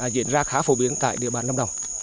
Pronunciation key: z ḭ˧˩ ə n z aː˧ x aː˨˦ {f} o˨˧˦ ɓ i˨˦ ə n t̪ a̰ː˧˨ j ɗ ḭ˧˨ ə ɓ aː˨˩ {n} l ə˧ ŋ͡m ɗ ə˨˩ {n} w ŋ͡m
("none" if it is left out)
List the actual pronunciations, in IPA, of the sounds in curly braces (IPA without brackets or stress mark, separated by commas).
f, n, none